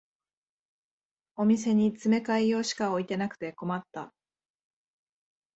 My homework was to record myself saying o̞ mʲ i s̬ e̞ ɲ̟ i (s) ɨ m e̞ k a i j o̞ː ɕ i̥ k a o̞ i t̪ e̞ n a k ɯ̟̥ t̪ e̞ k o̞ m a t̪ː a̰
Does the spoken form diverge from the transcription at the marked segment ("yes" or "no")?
yes